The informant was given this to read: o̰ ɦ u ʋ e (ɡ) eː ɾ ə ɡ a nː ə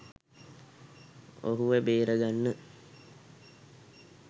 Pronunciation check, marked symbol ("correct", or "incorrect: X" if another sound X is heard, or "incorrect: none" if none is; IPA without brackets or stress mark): incorrect: b